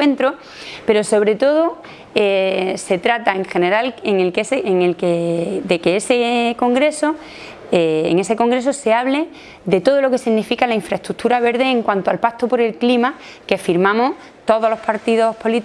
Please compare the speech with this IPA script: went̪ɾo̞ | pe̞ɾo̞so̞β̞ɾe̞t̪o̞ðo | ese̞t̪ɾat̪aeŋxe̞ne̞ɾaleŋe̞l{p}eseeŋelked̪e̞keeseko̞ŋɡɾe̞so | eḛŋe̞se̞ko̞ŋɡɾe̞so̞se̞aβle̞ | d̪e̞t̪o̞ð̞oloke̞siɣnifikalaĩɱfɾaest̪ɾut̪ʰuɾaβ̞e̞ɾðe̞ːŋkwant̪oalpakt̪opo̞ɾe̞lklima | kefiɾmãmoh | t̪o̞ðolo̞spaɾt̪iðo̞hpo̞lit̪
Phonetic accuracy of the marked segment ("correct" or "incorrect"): incorrect